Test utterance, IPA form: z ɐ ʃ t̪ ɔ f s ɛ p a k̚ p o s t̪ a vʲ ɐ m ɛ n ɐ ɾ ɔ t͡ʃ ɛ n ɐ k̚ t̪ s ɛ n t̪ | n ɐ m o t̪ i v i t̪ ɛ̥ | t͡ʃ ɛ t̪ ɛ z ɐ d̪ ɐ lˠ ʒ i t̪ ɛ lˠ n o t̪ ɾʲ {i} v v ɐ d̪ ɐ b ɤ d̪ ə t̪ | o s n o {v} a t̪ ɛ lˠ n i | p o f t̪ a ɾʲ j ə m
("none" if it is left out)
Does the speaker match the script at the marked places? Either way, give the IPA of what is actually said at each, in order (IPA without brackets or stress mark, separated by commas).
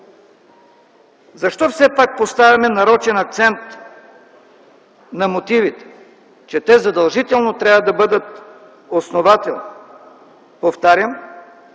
a, v